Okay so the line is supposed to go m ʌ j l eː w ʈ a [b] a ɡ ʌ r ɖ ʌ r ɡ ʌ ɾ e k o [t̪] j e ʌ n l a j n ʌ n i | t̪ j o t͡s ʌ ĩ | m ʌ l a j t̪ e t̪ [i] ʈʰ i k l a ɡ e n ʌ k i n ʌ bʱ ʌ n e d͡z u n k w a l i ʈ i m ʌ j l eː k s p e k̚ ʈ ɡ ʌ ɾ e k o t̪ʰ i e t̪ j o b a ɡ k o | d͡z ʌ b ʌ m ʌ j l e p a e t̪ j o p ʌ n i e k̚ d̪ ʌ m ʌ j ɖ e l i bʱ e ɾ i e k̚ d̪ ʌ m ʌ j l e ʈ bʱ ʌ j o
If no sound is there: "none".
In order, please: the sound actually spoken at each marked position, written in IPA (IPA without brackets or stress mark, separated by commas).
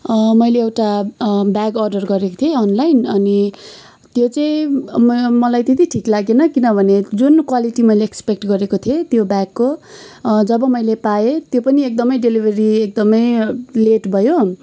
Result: b, t̪ʰ, i